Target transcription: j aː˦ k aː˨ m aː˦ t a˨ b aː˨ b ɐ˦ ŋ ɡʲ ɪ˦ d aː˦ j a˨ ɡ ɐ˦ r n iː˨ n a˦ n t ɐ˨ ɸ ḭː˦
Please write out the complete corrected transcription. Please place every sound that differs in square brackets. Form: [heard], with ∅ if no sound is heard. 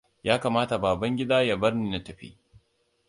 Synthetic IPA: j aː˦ k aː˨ m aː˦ t a˨ b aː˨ b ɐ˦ ŋ ɡʲ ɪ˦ d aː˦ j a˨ [b] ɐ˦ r n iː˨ n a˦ [∅] t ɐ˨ ɸ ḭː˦